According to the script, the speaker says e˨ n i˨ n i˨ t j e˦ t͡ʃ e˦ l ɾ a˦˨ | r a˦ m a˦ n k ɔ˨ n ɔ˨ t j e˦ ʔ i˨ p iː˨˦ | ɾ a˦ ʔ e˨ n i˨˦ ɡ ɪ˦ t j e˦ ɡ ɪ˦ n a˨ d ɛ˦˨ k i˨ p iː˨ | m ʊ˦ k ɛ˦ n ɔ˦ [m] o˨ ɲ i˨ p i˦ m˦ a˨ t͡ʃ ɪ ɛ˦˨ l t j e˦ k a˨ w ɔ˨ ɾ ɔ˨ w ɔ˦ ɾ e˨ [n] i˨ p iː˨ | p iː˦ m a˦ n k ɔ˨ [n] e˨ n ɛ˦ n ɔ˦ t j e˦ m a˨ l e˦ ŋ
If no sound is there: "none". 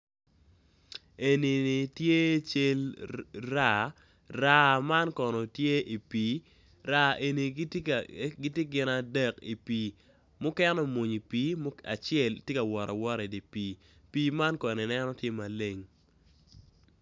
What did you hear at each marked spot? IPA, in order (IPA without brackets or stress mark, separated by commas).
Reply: m, d, n